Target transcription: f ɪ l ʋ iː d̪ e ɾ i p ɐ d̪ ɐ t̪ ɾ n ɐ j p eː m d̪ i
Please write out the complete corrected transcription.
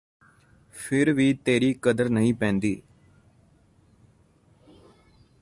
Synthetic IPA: f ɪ ɾ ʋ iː t̪ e ɾ i k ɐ d̪ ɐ ɾ n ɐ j p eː n d̪ i